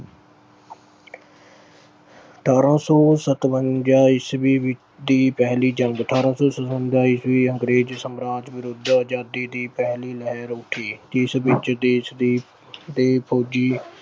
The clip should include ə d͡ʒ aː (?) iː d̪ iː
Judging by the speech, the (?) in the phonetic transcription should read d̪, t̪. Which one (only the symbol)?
d̪